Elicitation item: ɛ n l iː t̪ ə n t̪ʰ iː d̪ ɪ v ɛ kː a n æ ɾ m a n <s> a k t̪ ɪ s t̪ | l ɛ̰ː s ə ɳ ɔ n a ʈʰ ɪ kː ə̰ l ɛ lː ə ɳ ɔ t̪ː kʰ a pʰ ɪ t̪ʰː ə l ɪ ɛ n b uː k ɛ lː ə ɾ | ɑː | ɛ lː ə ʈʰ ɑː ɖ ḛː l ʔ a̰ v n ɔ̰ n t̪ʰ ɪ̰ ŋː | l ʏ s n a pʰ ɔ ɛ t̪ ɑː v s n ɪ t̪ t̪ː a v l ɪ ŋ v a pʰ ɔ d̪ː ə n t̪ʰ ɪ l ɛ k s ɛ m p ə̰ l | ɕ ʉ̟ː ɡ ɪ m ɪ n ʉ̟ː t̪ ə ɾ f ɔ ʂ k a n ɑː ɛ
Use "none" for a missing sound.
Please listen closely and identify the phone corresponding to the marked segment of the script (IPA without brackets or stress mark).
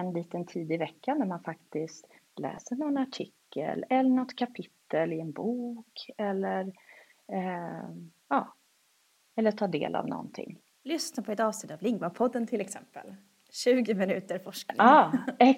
f